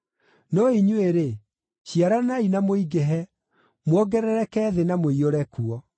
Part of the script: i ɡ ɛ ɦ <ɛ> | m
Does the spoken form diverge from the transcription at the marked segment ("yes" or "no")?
no